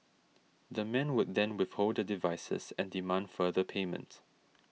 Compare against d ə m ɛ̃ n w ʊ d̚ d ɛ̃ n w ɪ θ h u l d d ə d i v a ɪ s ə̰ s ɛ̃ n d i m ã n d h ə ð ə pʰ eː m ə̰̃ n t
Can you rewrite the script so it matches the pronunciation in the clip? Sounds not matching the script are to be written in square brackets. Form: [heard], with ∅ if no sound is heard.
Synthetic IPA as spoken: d ə m ɛ̃ n w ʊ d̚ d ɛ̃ n w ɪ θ h [o] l d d ə d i v a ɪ s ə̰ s ɛ̃ n d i m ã n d [f] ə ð ə pʰ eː m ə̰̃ n t